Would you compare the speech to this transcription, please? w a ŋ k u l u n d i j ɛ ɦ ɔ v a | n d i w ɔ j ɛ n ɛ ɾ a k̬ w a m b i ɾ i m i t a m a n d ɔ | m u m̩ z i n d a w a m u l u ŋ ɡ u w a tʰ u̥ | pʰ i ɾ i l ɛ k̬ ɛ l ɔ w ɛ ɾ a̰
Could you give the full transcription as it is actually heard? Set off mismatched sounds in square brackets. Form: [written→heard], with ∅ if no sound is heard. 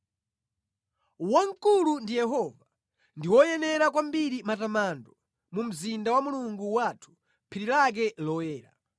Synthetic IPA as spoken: w a ŋ k u l u n d i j ɛ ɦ ɔ v a | n d i w ɔ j ɛ n ɛ ɾ a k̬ w a m b i ɾ i m [i→a] t a m a n d ɔ | m u m̩ z i n d a w a m u l u ŋ ɡ u w a tʰ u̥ | pʰ i ɾ i l [ɛ→a] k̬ ɛ l ɔ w [ɛ→ɛː] ɾ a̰